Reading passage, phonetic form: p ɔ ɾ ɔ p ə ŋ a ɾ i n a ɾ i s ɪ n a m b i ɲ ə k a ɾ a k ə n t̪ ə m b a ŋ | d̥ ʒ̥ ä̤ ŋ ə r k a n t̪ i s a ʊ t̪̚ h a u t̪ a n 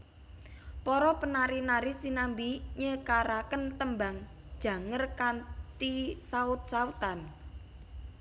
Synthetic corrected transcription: p ɔ ɾ ɔ p ə n a ɾ i n a ɾ i s i n a m b i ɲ ə k a ɾ a k ə n t̪ ə m b a ŋ | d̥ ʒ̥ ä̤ ŋ ə r k a n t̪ i s a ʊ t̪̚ s a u t̪ a n

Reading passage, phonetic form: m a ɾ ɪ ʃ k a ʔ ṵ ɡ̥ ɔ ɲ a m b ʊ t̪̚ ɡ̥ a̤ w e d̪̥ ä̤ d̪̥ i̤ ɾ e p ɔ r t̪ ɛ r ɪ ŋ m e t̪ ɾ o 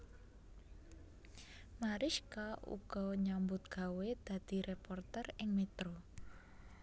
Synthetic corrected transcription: m a ɾ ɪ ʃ k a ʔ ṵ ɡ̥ ɔ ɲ a m b ʊ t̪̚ ɡ̥ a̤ w e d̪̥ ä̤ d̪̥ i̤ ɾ e p ɔ r t̪ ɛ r ɪ ŋ m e t̪ ɾ o

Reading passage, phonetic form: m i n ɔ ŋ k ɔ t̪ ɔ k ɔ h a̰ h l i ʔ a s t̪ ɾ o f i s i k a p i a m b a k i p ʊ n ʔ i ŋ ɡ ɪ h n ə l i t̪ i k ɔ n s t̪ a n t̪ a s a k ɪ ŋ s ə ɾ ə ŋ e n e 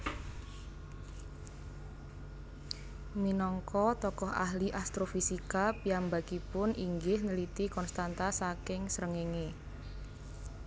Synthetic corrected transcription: m i n ɔ ŋ k ɔ t̪ ɔ k ɔ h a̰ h l i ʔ a s t̪ ɾ o f i s i k a p i a m b a k i p ʊ n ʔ i ŋ ɡ ɪ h n ə l i t̪ i k ɔ n s t̪ a n t̪ a s a k ɪ ŋ s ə ɾ ə ŋ e ŋ e

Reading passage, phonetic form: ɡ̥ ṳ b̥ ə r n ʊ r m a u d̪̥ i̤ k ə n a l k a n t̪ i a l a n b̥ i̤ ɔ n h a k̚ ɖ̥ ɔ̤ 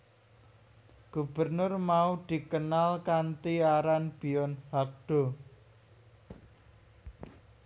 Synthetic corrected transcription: ɡ̥ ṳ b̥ ə r n ʊ r m a u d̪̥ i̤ k ə n a l k a n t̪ i a ɾ a n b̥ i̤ ɔ n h a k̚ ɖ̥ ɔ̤

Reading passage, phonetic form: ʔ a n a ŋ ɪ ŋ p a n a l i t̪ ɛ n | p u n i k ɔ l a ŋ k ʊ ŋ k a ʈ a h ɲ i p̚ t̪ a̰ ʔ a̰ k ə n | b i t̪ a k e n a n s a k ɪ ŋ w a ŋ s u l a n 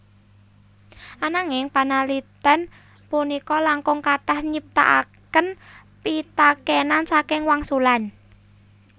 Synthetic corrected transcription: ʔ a n a ŋ ɪ ŋ p a n a l i t̪ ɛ n | p u n i k ɔ l a ŋ k ʊ ŋ k a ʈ a h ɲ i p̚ t̪ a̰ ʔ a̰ k ə n | p i t̪ a k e n a n s a k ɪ ŋ w a ŋ s u l a n

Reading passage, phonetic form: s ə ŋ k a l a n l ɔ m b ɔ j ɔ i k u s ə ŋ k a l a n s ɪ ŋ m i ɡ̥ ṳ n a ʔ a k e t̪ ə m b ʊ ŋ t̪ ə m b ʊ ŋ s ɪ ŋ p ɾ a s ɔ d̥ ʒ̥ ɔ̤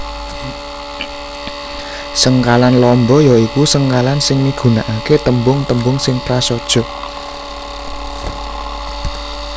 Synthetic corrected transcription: s ə ŋ k a l a n l ɔ m b ɔ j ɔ i k u s ə ŋ k a l a n s ɪ ŋ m i ɡ̥ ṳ n a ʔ a k e t̪ ə m b ʊ ŋ t̪ ə m b ʊ ŋ s ɪ ŋ p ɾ a s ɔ d̥ ʒ̥ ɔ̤

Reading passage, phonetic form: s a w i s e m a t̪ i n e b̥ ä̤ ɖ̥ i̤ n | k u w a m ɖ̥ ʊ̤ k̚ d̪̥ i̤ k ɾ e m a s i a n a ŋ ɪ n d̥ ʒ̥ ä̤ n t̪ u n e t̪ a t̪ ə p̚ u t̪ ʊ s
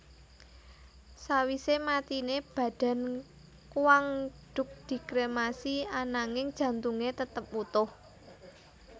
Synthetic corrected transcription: s a w i s e m a t̪ i n e b̥ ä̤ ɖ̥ a̤ n | k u w a ŋ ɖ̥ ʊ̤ k̚ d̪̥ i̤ k ɾ e m a s i a n a ŋ ɪ ŋ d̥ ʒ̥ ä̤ n t̪ u ŋ e t̪ ə t̪ ə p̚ u t̪ ʊ h

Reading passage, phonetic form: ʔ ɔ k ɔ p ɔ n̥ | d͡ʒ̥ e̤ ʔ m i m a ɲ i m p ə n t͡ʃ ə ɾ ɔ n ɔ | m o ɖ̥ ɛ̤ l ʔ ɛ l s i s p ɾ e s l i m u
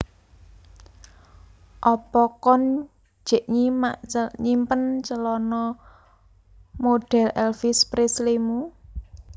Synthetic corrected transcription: ʔ ɔ p ɔ k ɔ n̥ | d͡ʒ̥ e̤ ʔ ɲ i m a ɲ i m p ə n t͡ʃ ə l ɔ n ɔ | m o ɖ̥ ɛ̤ l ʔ ɛ l f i s p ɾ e s l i m u

